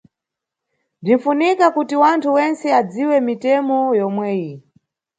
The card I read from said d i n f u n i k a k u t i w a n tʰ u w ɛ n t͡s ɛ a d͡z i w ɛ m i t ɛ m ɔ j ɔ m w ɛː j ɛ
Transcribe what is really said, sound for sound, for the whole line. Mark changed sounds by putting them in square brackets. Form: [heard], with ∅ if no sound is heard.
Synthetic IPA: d i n f u n i k a k u t i w a n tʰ u w ɛ n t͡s ɛ a d͡z i w ɛ m i t ɛ m ɔ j ɔ m w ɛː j [i]